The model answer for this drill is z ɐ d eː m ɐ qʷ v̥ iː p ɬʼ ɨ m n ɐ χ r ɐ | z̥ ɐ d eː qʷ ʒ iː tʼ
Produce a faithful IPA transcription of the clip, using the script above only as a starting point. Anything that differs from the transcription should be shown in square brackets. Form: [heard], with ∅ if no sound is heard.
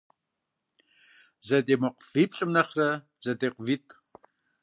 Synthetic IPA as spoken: z ɐ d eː m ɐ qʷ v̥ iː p ɬʼ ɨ m n ɐ χ r ɐ | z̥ ɐ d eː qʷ [v] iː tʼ